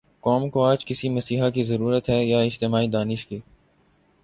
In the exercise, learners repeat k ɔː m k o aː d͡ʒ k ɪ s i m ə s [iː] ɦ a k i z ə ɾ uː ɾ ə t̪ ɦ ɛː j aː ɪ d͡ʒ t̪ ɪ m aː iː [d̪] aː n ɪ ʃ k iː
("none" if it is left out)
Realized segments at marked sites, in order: iː, d̪

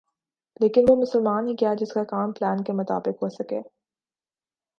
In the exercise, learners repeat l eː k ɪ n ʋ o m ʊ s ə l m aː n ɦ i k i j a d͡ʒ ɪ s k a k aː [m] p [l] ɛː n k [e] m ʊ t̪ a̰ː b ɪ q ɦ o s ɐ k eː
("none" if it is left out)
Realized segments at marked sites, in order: m, l, e

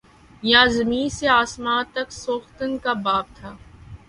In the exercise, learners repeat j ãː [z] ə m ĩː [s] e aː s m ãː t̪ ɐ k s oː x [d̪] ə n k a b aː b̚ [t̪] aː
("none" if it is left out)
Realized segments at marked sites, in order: z, s, t̪, t̪ʰ

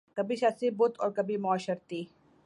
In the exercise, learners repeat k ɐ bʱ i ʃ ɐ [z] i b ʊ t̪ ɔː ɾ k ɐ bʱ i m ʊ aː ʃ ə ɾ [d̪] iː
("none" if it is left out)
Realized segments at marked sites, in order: s, t̪

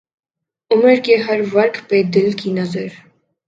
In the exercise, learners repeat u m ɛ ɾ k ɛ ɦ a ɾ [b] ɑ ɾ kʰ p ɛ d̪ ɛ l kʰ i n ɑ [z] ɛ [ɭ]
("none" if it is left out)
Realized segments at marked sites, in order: v, z, ɾ

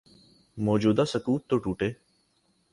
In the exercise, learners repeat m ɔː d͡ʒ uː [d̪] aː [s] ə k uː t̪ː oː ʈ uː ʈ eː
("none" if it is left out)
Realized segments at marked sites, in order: d̪, s

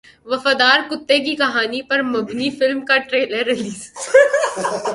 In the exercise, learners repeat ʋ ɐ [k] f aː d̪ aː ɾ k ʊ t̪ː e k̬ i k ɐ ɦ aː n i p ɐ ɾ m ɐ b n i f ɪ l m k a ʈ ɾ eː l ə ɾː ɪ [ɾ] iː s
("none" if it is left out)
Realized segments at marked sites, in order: none, l

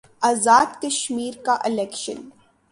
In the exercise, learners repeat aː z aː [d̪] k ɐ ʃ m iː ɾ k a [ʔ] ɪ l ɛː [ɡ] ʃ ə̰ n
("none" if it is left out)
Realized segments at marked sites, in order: d̪, ʔ, k

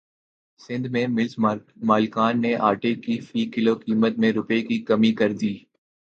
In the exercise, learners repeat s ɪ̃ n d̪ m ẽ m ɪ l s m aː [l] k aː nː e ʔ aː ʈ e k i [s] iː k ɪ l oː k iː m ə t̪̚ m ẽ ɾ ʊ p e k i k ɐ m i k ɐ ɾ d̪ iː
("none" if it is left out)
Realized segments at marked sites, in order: l, f

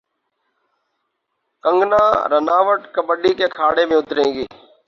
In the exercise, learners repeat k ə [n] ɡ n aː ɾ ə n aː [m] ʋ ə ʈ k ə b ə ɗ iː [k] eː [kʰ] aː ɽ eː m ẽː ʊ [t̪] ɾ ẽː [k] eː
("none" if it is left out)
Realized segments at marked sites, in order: ŋ, none, k, kʰ, t̪, ɡ

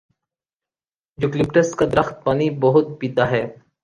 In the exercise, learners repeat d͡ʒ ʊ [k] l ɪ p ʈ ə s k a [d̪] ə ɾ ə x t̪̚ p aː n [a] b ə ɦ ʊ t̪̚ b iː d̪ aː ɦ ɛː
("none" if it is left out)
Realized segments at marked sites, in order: k, d̪, i

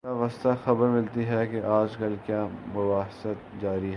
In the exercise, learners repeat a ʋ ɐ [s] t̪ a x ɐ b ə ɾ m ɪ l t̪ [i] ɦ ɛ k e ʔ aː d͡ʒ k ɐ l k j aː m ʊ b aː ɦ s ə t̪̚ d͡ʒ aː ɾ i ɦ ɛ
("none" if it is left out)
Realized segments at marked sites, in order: s, i

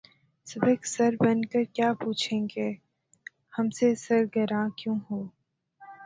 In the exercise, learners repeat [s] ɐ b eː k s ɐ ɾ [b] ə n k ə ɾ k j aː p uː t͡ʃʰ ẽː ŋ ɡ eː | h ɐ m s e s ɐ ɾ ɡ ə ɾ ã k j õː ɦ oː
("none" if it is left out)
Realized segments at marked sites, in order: s, b

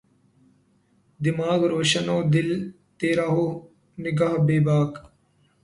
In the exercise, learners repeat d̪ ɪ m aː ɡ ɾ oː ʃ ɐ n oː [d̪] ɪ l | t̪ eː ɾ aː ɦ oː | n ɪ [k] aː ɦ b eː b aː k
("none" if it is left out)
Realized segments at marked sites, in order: d̪, ɡ

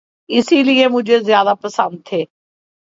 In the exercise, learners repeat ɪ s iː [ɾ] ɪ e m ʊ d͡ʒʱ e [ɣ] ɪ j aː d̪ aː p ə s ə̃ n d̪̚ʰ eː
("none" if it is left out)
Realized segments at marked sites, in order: l, z

